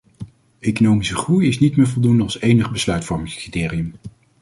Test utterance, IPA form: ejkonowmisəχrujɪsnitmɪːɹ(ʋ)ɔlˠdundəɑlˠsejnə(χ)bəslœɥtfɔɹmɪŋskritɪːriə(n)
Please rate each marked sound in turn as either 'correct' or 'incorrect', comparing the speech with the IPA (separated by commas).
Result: incorrect, correct, incorrect